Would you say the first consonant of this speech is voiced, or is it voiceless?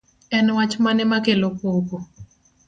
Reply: voiced